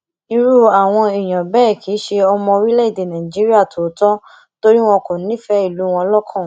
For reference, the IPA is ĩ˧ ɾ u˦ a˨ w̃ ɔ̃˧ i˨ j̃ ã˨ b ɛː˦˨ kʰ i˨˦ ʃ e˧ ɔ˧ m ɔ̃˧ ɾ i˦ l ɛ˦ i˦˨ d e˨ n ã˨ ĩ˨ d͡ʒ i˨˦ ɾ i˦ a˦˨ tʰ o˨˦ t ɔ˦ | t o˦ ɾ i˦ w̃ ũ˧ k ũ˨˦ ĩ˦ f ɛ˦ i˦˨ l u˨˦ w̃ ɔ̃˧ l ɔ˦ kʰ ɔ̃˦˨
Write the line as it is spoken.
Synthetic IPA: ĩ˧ ɾ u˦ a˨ w̃ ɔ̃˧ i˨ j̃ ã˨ b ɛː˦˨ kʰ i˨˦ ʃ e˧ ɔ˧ m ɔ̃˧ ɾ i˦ l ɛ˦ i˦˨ d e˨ n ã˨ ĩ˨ d͡ʒ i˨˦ ɾ i˦ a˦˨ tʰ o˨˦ t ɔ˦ | t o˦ ɾ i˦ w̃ ɔ̃˧ k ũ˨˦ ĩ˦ f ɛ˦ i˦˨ l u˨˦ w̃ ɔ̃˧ l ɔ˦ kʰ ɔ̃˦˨